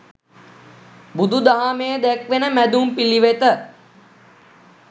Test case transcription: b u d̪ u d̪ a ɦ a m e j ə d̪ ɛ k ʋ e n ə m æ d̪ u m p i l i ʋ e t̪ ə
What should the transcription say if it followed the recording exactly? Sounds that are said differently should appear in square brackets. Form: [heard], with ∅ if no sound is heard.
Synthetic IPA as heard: b u d̪ u d̪ a ɦ a m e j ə d̪ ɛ k ʋ e n ə m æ d̪ u m p i l i ʋ e t̪ ə